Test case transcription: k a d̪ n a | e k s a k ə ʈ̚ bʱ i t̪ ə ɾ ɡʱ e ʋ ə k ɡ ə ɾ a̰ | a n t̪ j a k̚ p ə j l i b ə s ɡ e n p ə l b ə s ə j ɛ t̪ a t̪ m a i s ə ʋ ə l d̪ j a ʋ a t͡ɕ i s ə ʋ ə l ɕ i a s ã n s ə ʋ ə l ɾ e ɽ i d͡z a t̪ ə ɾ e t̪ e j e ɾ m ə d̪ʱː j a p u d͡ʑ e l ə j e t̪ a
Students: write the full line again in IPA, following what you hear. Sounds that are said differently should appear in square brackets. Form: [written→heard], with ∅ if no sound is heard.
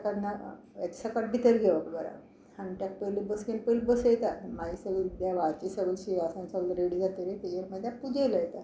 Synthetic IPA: k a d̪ n a | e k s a k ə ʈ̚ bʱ i t̪ ə ɾ ɡʱ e ʋ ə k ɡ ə ɾ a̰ | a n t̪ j a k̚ p ə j l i b ə s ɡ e n p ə l b ə s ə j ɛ t̪ a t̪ m a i s ə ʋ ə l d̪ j a ʋ a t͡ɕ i s ə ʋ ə l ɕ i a s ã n s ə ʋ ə l ɾ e ɽ i d͡z a t̪ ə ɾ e t̪ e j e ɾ m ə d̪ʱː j a p u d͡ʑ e l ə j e t̪ a